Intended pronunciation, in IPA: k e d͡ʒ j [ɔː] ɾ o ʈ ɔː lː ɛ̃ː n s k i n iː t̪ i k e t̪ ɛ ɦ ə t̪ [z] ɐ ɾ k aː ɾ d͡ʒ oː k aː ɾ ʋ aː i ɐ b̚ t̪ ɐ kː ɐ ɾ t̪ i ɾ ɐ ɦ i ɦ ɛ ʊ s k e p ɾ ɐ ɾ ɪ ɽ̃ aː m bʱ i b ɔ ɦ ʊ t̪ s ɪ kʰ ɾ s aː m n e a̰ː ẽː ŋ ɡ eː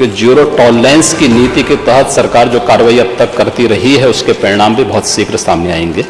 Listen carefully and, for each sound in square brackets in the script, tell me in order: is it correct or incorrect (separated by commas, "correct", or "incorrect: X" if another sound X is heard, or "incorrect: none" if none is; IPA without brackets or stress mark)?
incorrect: uː, incorrect: s